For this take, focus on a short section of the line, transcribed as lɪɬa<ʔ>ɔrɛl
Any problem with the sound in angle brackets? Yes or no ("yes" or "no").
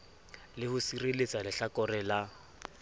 yes